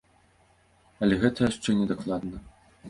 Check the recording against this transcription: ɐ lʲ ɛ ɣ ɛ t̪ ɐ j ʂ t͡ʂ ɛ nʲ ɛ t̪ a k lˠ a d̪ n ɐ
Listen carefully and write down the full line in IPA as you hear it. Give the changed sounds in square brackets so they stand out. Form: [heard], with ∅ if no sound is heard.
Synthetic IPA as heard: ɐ lʲ ɛ ɣ ɛ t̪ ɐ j ʂ t͡ʂ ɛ nʲ ɛ [d̪] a k lˠ a d̪ n ɐ